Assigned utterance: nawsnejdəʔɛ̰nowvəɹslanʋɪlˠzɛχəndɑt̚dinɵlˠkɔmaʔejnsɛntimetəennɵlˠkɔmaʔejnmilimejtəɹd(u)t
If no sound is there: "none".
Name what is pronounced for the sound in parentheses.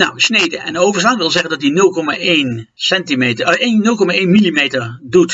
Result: u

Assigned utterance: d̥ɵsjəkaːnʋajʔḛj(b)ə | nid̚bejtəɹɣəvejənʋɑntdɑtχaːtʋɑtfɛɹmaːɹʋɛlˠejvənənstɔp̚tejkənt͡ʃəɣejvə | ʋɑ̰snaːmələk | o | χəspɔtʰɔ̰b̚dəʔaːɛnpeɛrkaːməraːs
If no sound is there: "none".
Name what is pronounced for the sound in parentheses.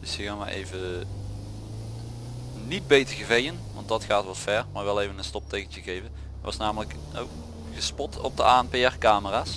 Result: v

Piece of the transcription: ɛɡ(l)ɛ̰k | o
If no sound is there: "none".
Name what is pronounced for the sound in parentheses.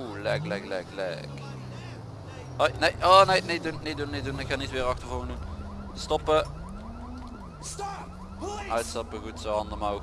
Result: l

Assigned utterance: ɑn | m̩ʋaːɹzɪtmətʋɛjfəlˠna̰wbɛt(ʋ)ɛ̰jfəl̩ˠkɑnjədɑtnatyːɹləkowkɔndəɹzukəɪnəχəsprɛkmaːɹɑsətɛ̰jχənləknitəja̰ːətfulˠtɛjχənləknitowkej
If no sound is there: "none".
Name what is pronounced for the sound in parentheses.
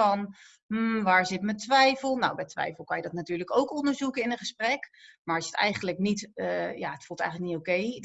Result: ʋ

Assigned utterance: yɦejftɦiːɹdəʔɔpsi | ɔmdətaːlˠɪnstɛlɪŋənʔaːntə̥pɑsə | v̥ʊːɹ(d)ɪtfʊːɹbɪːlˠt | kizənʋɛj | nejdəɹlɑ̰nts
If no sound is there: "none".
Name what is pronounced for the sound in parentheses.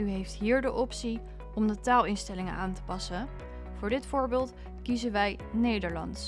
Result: d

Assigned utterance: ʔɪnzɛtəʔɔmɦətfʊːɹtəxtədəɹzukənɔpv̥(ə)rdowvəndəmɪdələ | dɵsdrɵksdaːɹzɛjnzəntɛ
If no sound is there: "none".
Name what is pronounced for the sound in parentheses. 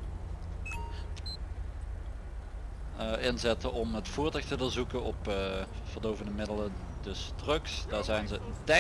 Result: ə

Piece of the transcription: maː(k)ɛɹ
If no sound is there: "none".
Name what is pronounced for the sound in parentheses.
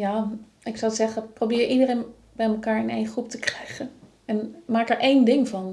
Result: k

